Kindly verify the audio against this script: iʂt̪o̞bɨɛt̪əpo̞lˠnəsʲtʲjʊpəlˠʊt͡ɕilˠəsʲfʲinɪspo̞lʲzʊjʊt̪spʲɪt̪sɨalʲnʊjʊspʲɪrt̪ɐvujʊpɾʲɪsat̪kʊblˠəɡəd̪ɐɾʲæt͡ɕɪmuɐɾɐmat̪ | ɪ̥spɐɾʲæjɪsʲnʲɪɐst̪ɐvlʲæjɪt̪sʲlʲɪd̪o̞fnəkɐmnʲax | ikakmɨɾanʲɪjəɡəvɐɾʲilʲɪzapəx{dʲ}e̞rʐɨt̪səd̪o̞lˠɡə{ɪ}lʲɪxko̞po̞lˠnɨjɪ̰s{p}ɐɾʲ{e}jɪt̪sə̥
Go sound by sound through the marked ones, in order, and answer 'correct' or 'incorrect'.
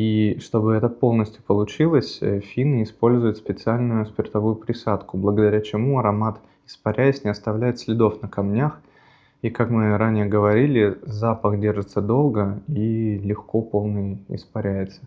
correct, incorrect: i, correct, incorrect: æ

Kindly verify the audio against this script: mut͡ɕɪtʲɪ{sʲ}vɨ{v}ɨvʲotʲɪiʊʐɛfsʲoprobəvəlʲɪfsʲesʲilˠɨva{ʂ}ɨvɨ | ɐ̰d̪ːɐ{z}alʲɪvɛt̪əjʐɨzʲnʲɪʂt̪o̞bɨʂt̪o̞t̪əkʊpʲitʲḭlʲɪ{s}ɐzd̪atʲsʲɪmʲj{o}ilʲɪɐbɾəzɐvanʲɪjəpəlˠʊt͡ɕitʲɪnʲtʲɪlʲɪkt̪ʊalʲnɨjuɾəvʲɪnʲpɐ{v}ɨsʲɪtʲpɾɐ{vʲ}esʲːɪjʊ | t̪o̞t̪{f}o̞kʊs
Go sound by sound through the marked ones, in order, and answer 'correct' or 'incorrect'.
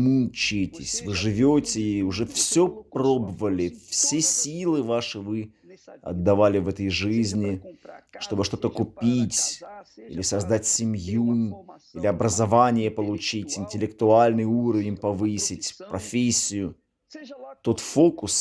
correct, incorrect: ʐ, correct, incorrect: v, correct, incorrect: u, correct, incorrect: fʲ, correct

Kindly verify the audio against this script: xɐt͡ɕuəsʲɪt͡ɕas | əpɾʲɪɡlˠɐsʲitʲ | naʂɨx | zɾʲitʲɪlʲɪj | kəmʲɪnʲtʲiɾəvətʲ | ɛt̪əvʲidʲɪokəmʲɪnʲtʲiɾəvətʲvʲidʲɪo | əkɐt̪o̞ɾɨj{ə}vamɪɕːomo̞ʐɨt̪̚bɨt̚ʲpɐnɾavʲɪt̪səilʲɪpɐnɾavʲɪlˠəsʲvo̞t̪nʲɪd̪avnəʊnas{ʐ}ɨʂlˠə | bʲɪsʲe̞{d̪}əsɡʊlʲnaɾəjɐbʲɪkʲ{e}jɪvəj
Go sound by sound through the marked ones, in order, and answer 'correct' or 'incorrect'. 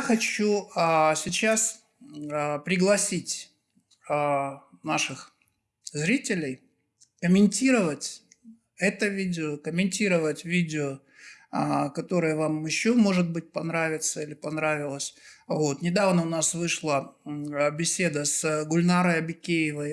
correct, incorrect: v, correct, correct

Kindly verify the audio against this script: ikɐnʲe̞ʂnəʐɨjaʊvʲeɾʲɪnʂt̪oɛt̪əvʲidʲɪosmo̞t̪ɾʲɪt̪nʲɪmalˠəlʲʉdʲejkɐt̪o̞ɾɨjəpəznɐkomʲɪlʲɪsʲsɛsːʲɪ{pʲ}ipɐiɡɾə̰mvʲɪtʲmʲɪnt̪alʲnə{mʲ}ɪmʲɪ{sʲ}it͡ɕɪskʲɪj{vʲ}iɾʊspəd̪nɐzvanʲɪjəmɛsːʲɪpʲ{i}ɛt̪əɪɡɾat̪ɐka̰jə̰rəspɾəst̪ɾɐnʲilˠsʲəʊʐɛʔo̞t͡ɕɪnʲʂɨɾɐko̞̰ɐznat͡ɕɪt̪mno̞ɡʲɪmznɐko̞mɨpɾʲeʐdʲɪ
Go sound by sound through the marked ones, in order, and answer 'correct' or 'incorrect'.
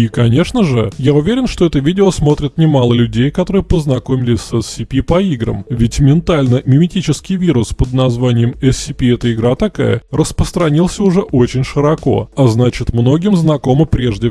correct, correct, incorrect: tʲ, correct, correct

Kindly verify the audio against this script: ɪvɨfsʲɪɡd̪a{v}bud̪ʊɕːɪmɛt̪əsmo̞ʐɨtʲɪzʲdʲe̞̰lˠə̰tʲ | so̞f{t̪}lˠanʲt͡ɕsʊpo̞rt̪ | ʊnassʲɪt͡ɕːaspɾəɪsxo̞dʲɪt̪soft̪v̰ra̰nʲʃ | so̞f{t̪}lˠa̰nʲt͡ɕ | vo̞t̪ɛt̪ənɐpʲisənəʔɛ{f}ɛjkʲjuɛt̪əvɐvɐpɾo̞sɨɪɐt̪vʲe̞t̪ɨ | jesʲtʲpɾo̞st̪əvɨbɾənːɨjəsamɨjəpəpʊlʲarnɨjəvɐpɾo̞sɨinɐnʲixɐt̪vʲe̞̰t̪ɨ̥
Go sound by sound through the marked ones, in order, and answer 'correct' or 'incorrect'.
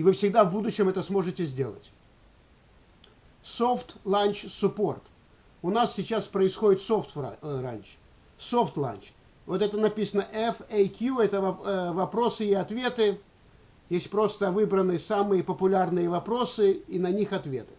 correct, correct, correct, correct

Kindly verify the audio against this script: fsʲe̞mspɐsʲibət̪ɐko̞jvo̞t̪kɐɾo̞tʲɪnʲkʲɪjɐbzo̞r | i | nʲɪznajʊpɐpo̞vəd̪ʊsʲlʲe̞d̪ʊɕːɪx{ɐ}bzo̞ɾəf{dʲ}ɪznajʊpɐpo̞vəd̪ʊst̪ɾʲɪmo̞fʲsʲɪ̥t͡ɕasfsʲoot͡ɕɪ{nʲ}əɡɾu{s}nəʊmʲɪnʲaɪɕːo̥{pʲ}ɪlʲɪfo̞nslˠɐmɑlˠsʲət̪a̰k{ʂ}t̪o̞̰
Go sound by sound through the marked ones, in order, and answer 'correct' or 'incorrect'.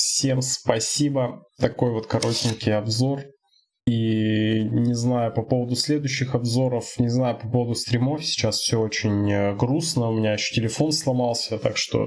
correct, incorrect: nʲ, correct, correct, incorrect: tʲ, correct

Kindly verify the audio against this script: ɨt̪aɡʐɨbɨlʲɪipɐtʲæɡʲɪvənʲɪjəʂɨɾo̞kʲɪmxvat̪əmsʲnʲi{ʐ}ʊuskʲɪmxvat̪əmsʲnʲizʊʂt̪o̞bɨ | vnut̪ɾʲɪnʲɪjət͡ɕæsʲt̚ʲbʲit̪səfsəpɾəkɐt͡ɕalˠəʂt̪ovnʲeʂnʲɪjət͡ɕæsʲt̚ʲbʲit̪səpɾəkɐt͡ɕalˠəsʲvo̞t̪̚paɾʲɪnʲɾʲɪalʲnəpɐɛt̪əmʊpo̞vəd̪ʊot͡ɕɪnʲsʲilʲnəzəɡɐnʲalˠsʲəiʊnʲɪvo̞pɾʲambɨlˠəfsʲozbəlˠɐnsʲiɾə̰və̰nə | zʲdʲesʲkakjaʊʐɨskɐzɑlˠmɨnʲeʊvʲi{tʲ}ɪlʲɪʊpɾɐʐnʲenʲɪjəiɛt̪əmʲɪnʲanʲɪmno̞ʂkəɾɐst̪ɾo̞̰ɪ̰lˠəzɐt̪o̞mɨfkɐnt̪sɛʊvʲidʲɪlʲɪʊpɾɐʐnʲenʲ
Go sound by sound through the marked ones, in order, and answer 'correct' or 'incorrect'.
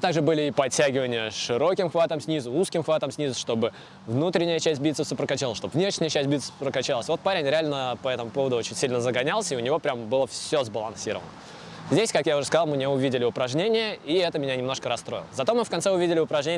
incorrect: z, incorrect: dʲ

